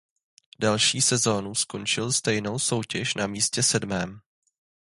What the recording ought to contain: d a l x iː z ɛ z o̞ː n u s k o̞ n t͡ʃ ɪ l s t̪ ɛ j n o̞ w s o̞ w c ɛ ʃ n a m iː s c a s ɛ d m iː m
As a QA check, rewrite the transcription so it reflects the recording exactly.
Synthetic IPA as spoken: d a l ʃ iː s ɛ z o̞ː n u s k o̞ n t͡ʃ ɪ l s t̪ ɛ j n o̞ w s o̞ w c ɛ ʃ n a m iː s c ɛ s ɛ d m ɛː m